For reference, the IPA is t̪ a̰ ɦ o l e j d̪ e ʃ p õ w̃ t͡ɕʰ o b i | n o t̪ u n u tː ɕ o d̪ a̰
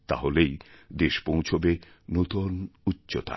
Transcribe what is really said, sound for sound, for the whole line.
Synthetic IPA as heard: t̪ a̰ ɦ o l e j d̪ e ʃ p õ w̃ t͡ɕʰ o b e | n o t̪ o n u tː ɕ o t̪ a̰